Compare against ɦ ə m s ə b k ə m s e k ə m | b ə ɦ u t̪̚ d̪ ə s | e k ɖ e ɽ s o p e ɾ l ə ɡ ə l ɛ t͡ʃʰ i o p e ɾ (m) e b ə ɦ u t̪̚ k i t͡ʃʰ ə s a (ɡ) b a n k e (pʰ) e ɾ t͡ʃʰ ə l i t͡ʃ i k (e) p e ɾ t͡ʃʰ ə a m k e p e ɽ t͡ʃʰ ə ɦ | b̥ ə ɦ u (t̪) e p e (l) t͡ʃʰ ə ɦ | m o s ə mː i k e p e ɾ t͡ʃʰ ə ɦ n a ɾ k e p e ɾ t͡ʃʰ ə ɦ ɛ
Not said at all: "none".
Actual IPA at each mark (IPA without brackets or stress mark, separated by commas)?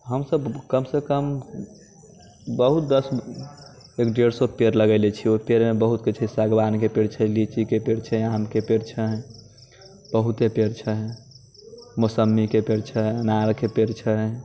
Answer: m, ɡ, p, e, t̪, ɾ